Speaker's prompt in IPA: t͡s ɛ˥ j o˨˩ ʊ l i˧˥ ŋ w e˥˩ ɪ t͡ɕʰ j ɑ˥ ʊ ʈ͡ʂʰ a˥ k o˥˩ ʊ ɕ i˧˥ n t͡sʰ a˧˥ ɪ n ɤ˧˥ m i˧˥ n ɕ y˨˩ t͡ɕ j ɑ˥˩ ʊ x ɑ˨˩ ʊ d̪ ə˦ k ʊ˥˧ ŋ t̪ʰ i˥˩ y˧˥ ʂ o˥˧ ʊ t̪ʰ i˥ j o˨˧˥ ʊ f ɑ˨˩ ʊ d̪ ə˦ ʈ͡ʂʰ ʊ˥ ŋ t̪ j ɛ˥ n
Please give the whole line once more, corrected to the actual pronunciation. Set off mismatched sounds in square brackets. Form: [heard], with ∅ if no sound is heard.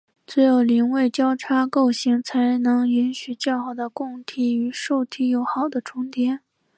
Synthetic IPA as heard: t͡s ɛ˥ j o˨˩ ʊ l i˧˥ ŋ w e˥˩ ɪ [t͡ɕ] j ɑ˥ ʊ ʈ͡ʂʰ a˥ k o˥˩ ʊ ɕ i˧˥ [ŋ] t͡sʰ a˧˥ ɪ n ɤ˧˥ [ŋ] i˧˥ n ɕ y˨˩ t͡ɕ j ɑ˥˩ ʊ x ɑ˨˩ ʊ d̪ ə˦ k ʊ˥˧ ŋ t̪ʰ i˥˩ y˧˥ ʂ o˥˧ ʊ t̪ʰ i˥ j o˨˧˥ ʊ [x] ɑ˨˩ ʊ d̪ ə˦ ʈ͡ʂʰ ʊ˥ ŋ t̪ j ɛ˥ n

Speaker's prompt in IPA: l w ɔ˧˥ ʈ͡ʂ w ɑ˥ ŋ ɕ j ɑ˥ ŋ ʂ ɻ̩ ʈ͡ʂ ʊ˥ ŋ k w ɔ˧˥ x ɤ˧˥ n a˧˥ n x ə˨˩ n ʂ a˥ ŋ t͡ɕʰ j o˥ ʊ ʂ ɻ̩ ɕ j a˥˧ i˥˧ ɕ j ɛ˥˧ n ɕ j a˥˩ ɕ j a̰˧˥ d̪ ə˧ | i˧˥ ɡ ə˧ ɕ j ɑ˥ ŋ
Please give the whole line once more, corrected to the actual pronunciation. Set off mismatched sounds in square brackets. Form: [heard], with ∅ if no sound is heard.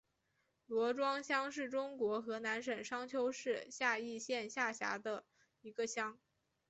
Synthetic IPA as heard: l w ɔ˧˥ ʈ͡ʂ w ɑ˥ ŋ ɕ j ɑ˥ ŋ ʂ ɻ̩ ʈ͡ʂ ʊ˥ ŋ k w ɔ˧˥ x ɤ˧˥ n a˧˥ n [ʂ] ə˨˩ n ʂ [ɑ˥] ŋ t͡ɕʰ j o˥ ʊ ʂ ɻ̩ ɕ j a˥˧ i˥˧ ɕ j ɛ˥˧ n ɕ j a˥˩ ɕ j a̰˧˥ d̪ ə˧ | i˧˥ ɡ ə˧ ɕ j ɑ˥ ŋ

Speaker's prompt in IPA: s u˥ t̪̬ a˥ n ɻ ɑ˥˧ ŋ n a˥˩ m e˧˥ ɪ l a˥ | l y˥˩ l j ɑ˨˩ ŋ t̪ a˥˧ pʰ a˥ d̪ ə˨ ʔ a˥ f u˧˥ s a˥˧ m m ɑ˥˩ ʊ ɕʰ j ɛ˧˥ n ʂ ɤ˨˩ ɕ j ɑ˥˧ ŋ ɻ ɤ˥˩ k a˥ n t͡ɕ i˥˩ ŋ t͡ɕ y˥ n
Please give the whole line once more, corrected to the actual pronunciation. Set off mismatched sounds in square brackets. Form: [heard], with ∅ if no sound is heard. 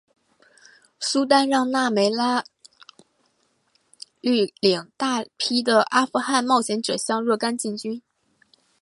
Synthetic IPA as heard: s u˥ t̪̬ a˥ n ɻ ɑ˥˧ ŋ n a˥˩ m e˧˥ ɪ l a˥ | l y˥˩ l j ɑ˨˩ ŋ t̪ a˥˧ pʰ [i˥] d̪ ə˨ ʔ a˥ f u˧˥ [x] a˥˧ [n] m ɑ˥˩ ʊ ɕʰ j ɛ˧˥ n [ʈ͡ʂ] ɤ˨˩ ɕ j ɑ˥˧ ŋ ɻ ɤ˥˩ k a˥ n t͡ɕ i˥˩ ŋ t͡ɕ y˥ n

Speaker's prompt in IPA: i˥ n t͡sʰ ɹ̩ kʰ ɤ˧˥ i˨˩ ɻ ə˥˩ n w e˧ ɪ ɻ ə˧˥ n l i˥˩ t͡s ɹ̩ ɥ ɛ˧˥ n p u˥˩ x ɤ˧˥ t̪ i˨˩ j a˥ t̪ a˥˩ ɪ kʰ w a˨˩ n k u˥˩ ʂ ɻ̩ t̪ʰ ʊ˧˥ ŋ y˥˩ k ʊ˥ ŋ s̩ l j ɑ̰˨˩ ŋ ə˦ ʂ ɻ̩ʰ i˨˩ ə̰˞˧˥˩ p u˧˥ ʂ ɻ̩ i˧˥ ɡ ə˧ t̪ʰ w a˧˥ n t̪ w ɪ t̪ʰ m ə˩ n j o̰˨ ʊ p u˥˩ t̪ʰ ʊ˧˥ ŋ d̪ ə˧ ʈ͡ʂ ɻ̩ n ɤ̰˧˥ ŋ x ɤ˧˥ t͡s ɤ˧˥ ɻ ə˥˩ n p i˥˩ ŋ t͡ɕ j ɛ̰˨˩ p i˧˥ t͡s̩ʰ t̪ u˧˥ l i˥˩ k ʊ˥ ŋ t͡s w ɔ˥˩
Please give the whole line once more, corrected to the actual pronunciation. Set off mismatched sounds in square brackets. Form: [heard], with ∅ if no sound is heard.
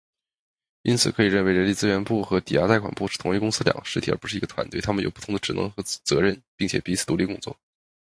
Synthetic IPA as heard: i˥ n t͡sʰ ɹ̩ kʰ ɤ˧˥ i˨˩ ɻ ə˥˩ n w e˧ ɪ ɻ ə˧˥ n l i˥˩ t͡s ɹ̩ ɥ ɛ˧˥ n p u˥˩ x ɤ˧˥ t̪ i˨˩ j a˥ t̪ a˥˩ ɪ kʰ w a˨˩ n [p] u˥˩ ʂ ɻ̩ t̪ʰ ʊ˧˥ ŋ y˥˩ k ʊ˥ ŋ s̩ l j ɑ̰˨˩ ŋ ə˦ ʂ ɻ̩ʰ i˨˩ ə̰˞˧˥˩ p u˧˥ ʂ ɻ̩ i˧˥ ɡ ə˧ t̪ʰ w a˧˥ n t̪ w ɪ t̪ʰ m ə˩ n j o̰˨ ʊ p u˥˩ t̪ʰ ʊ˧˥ ŋ d̪ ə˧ ʈ͡ʂ ɻ̩ n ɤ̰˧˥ ŋ x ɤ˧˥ t͡s ɤ˧˥ ɻ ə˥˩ n p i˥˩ ŋ [t͡ɕʰ] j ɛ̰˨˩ p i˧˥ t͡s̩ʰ t̪ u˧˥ l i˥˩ k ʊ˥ ŋ t͡s w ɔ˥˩

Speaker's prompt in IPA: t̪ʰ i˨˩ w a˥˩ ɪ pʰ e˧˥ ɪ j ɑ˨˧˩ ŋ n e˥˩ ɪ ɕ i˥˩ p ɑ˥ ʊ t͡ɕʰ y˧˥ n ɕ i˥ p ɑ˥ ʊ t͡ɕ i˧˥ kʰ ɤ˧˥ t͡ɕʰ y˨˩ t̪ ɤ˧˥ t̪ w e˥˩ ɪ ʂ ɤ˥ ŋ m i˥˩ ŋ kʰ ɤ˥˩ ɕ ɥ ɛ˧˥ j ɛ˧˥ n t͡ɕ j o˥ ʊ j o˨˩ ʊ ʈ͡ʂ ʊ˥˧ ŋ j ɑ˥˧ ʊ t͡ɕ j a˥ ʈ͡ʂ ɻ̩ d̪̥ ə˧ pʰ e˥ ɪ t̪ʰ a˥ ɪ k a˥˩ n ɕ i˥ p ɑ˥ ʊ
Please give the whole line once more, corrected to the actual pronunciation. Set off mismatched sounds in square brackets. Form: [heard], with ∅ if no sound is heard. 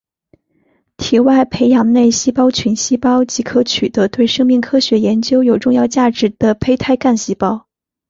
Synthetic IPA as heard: t̪ʰ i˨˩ w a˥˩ ɪ pʰ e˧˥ ɪ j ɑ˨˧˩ ŋ n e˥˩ ɪ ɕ [i˥] p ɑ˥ ʊ t͡ɕʰ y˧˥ n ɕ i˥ p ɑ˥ ʊ t͡ɕ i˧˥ kʰ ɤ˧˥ t͡ɕʰ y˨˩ t̪ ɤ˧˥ t̪ w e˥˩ ɪ ʂ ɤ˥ ŋ m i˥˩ ŋ kʰ [ɤ˥] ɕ ɥ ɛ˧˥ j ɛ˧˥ n t͡ɕ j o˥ ʊ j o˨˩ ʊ ʈ͡ʂ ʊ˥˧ ŋ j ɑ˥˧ ʊ t͡ɕ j [a˥˩] ʈ͡ʂ ɻ̩ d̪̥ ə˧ pʰ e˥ ɪ t̪ʰ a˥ ɪ k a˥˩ n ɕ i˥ p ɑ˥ ʊ

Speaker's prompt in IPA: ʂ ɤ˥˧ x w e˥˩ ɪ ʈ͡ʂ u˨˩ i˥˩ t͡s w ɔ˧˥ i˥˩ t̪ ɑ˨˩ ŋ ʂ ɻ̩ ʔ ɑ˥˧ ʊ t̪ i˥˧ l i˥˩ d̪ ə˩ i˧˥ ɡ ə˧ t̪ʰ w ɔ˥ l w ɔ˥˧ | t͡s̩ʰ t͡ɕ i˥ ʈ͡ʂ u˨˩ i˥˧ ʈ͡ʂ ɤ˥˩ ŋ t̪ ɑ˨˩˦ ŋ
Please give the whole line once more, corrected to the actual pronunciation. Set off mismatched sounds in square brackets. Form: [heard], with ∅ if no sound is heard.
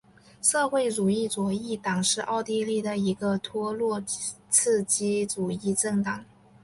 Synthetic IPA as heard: ʂ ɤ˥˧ x w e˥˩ ɪ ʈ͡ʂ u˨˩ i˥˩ t͡s w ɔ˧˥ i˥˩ t̪ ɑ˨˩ ŋ ʂ ɻ̩ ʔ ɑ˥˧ ʊ t̪ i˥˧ l i˥˩ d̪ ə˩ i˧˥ ɡ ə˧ t̪ʰ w ɔ˥ l w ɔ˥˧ | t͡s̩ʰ t͡ɕ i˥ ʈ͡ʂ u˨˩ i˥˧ ʈ͡ʂ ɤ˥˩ ŋ t̪ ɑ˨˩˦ ŋ

